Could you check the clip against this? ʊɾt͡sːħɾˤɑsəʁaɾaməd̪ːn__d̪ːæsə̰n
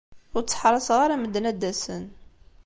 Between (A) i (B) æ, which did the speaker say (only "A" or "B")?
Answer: B